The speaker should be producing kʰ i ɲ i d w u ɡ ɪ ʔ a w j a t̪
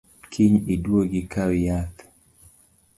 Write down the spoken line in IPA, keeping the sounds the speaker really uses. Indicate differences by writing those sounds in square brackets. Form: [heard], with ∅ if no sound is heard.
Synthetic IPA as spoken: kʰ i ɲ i d w [o] ɡ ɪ [k] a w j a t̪